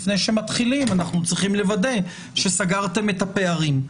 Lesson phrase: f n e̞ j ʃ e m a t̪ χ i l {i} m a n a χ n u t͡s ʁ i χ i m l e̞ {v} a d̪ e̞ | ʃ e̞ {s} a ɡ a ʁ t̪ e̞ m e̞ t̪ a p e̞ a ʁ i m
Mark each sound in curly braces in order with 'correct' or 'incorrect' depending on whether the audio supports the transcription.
correct, correct, correct

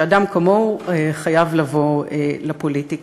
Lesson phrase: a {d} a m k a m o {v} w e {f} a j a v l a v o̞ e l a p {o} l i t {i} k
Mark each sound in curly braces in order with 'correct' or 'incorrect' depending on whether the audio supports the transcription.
correct, incorrect: none, incorrect: χ, correct, correct

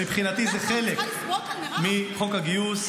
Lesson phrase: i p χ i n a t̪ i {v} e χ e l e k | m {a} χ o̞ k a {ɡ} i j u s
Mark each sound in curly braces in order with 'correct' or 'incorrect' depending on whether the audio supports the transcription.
incorrect: z, incorrect: i, correct

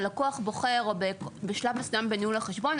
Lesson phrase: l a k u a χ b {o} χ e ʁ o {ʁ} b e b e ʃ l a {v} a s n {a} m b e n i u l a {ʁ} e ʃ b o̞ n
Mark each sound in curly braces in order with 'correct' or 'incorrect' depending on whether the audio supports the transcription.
correct, incorrect: none, correct, correct, incorrect: χ

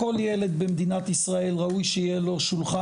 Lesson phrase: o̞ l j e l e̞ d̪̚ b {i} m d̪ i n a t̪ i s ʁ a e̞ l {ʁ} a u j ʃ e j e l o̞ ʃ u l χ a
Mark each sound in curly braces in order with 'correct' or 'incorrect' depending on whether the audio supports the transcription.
incorrect: e, correct

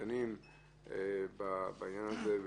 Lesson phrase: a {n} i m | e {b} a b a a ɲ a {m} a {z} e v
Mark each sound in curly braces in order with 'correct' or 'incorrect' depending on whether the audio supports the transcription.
correct, correct, incorrect: n, correct

